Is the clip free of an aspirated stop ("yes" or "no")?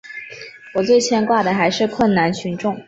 no